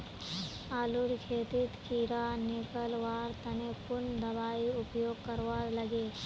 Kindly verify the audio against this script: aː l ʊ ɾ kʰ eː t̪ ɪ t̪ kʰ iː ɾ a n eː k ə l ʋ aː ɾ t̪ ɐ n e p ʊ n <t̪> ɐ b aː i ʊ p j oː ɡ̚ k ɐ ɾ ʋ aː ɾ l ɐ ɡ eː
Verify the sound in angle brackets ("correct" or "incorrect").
incorrect